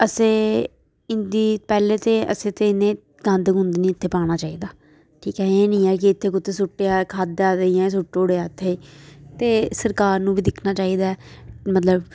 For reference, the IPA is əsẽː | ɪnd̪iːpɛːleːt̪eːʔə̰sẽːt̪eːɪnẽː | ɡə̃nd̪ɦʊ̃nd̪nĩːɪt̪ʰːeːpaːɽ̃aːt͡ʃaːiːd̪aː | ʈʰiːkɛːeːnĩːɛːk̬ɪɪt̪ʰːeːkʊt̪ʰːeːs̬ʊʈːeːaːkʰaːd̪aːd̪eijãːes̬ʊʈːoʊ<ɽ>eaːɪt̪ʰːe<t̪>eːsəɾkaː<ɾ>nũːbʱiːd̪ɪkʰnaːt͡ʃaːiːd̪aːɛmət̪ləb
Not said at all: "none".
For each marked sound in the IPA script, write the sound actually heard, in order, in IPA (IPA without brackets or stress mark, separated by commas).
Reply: ɽ, t̪, ɾ